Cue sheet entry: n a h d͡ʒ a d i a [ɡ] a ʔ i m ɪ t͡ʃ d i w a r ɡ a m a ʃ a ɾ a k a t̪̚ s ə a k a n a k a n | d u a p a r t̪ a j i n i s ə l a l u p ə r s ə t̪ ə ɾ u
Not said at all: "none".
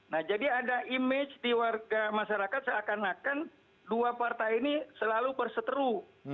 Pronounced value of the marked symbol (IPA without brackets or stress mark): d